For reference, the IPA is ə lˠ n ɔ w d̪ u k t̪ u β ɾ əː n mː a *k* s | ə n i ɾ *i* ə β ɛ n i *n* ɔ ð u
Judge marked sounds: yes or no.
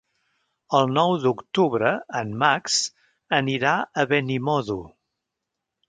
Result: yes, no, no

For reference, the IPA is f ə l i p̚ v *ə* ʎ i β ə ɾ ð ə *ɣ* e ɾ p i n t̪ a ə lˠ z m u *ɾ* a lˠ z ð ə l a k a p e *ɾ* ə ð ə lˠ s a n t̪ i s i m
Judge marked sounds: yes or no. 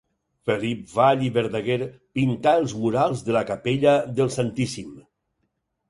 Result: no, yes, yes, no

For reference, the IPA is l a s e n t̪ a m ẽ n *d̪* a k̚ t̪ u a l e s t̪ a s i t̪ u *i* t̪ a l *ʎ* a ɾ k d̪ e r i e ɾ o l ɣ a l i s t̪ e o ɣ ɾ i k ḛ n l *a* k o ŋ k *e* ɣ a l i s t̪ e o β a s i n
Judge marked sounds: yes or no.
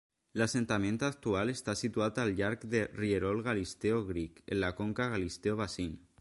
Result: no, no, yes, yes, no

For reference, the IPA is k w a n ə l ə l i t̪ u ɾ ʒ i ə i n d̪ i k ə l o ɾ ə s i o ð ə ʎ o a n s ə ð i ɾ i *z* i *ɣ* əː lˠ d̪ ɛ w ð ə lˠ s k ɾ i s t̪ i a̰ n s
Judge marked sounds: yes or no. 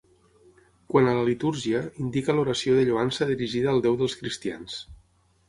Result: no, no

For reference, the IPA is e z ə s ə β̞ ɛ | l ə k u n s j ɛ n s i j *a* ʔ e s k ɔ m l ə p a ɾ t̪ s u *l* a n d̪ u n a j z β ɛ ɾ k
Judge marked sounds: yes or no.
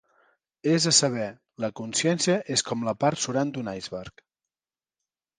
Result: no, no

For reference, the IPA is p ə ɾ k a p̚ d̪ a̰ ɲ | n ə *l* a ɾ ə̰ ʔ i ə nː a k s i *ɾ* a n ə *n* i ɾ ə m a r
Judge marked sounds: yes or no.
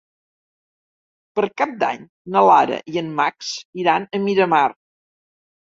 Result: yes, yes, no

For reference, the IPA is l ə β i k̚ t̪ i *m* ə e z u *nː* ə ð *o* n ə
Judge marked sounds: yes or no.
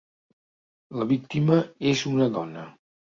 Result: yes, no, no

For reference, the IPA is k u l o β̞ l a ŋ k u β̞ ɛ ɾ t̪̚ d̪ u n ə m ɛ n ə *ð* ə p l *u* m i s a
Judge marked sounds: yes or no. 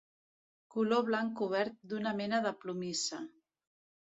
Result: yes, yes

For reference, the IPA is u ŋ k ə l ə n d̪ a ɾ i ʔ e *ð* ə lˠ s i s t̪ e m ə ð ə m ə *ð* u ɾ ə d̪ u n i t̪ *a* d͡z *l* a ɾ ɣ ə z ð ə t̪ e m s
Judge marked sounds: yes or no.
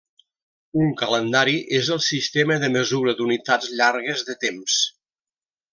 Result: no, no, yes, no

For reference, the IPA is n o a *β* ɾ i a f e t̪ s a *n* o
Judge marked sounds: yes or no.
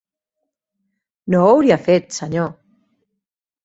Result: no, no

